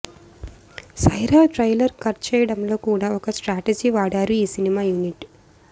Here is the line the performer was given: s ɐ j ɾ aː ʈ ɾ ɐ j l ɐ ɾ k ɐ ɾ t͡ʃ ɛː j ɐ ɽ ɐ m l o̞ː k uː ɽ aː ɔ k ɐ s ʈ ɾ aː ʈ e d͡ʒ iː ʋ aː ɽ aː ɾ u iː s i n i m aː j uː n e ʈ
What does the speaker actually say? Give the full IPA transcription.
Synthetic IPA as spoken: s ɐ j ɾ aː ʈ ɾ ɐ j l ɐ ɾ k ɐ ɾ t͡ʃ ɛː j ɐ ɽ ɐ m l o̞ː k uː ɽ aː ɔ k ɐ s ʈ ɾ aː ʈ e d͡ʒ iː ʋ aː ɽ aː ɾ u iː s i n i m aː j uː n i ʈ